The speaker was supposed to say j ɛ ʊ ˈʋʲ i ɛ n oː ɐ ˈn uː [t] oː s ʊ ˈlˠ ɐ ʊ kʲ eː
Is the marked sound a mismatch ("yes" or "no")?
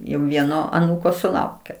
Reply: yes